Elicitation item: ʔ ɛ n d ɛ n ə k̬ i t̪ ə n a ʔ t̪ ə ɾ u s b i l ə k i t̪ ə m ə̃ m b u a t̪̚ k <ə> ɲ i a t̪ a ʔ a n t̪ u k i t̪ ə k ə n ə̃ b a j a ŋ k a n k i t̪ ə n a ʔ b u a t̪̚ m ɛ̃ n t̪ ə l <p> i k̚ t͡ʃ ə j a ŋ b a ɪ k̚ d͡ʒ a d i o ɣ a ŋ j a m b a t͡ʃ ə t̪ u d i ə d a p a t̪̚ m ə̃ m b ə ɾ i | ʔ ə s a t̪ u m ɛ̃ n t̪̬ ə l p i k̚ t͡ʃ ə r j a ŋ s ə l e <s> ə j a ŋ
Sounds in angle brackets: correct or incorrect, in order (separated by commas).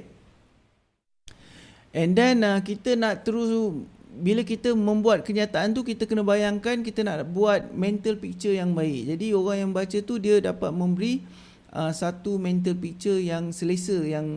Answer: correct, correct, correct